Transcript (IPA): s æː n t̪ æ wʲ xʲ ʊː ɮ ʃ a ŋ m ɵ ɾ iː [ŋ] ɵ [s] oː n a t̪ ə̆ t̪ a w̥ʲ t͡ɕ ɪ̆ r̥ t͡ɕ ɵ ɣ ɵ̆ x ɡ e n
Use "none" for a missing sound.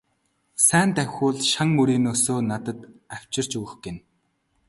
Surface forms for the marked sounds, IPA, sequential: n, s

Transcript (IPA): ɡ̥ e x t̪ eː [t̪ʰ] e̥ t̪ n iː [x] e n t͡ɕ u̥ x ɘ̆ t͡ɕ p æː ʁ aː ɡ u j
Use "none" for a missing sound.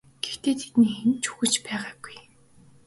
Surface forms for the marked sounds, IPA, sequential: t̪ʰ, x

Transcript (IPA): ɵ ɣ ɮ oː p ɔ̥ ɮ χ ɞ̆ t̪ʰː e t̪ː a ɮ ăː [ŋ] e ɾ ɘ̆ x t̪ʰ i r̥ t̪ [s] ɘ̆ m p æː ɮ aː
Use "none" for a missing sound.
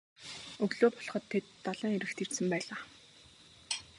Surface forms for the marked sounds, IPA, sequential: ŋ, s

